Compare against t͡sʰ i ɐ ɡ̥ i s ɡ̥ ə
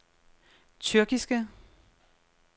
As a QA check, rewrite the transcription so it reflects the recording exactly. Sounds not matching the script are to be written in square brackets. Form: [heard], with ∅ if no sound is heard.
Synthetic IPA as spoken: t͡sʰ [y] ɐ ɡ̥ i s ɡ̥ ə